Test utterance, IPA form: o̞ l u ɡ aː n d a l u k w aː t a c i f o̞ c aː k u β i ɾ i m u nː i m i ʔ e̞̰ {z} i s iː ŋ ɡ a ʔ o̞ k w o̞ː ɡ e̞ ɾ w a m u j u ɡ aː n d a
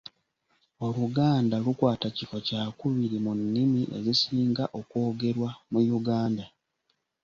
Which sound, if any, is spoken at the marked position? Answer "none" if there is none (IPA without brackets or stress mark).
z